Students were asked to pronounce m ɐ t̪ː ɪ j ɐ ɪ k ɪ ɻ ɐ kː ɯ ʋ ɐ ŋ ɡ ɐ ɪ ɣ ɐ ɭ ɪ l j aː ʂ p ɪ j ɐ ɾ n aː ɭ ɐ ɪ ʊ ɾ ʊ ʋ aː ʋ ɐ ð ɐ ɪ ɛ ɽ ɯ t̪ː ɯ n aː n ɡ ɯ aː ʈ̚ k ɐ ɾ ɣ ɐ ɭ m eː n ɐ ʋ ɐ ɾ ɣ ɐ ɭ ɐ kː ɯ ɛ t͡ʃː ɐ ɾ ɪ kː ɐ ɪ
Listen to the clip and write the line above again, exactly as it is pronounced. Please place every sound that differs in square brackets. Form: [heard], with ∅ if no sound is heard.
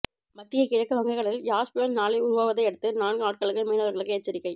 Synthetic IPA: m ɐ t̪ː ɪ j ɐ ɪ k ɪ ɻ ɐ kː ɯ ʋ ɐ ŋ ɡ ɐ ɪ ɣ ɐ ɭ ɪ l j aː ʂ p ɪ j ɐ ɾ n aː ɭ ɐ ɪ ʊ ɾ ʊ ʋ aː ʋ ɐ ð ɐ ɪ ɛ ɽ ɯ t̪ː ɯ n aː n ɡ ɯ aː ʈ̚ k ɐ [ɭ] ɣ ɐ ɭ m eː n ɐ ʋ ɐ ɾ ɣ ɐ ɭ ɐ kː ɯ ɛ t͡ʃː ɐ ɾ ɪ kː ɐ ɪ